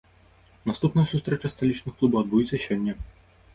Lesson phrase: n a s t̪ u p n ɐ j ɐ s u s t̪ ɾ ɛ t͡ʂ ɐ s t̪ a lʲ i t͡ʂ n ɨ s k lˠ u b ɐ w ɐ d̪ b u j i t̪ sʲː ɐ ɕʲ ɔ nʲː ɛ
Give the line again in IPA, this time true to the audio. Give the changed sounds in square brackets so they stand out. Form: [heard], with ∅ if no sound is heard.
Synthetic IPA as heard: n a s t̪ u p n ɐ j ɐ s u s t̪ ɾ ɛ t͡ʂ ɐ s t̪ a lʲ i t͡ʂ n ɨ [x] k lˠ u b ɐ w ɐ d̪ b u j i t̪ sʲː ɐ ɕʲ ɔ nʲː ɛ